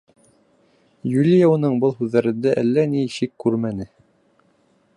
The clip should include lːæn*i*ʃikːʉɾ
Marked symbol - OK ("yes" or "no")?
yes